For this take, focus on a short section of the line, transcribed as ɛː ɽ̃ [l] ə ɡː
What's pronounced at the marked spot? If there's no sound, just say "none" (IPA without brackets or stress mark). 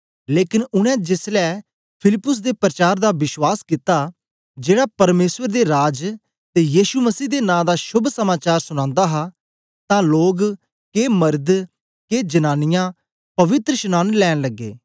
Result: l